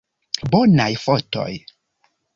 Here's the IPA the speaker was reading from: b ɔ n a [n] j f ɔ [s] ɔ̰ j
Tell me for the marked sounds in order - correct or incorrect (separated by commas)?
incorrect, incorrect